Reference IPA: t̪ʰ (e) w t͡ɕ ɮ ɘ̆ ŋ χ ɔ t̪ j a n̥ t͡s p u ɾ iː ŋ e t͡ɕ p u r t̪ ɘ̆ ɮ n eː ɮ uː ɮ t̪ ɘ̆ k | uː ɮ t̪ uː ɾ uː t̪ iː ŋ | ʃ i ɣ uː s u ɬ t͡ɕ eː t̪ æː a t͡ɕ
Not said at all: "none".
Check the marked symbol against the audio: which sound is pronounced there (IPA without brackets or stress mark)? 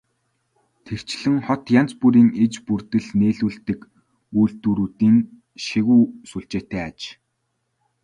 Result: e